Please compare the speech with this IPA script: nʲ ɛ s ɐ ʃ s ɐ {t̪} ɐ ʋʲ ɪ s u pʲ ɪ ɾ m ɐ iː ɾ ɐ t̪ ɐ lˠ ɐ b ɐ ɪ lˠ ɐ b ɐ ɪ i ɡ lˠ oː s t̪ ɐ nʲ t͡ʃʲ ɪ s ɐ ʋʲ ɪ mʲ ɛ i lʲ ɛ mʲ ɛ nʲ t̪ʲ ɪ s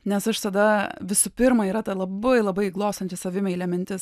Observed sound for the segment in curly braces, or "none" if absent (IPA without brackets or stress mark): d̪